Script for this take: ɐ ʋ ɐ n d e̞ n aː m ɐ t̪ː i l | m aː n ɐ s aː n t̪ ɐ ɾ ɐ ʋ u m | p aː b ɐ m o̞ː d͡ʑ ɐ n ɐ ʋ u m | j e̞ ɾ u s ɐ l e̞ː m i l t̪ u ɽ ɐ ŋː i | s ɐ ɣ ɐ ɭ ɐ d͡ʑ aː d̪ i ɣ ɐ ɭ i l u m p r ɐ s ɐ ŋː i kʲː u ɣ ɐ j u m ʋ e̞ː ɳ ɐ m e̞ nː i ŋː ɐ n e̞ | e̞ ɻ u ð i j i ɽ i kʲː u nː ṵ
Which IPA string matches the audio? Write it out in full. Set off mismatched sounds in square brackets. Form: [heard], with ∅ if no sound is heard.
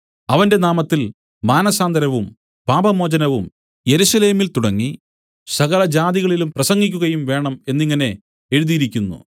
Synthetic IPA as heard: ɐ ʋ ɐ n d e̞ n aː m ɐ t̪ː i l | m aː n ɐ s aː n [d̪] ɐ ɾ ɐ ʋ u m | p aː b ɐ m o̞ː d͡ʑ ɐ n ɐ ʋ u m | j e̞ ɾ u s ɐ l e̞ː m i l t̪ u ɽ ɐ ŋː i | s ɐ ɣ ɐ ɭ ɐ d͡ʑ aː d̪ i ɣ ɐ ɭ i l u m p r ɐ s ɐ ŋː i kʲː u ɣ ɐ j u m ʋ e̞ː ɳ ɐ m e̞ nː i ŋː ɐ n e̞ | e̞ ɻ u ð i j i [ɾ] i kʲː u nː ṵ